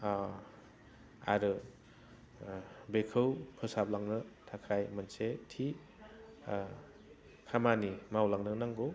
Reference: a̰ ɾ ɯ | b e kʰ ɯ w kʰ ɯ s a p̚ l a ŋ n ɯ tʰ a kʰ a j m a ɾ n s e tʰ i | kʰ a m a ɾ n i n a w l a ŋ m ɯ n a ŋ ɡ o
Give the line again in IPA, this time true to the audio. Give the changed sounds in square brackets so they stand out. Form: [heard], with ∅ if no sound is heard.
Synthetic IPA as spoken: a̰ ɾ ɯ | b e kʰ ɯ w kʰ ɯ s a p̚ l a ŋ n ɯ tʰ a kʰ a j m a [∅] n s e tʰ i | kʰ a m a [∅] n i [m] a w l a ŋ [n] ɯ n a ŋ ɡ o